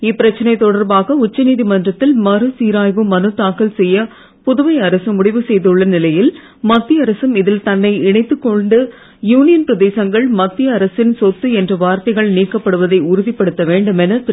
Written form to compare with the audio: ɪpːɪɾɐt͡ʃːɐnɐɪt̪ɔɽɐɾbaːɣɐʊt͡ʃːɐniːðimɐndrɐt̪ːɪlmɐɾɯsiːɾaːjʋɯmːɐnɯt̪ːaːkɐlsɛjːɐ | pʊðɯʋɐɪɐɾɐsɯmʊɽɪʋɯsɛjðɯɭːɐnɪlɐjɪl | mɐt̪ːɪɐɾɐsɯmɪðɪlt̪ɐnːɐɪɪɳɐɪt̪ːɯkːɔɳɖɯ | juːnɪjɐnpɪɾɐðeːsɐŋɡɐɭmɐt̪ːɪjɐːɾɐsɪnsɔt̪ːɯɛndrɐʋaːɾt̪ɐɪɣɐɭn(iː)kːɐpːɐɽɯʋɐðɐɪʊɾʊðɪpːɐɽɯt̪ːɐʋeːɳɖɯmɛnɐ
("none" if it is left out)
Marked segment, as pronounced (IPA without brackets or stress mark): iː